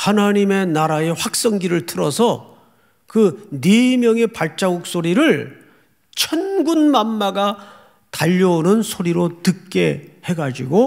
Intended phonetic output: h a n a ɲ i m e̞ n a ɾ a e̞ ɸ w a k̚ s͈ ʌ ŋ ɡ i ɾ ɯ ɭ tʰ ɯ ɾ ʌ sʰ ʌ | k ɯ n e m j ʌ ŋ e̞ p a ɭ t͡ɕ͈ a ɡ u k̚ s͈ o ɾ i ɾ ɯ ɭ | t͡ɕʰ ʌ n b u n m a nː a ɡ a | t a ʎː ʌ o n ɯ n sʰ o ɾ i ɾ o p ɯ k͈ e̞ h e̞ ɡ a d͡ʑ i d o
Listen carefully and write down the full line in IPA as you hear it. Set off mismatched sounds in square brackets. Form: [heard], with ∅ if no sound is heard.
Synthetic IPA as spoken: h a n a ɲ i m e̞ n a ɾ a e̞ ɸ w a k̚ s͈ ʌ ŋ ɡ i ɾ ɯ ɭ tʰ ɯ ɾ ʌ sʰ ʌ | k ɯ n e m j ʌ ŋ e̞ p a ɭ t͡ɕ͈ a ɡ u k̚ s͈ o ɾ i ɾ ɯ ɭ | t͡ɕʰ ʌ n [ɡ] u n m a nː a ɡ a | t a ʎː ʌ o n ɯ n sʰ o ɾ i ɾ o [t] ɯ k͈ e̞ h e̞ ɡ a d͡ʑ i [ɡ] o